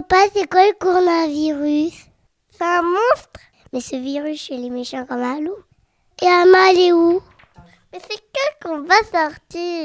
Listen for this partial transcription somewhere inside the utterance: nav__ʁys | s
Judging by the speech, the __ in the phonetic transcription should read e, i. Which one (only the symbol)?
i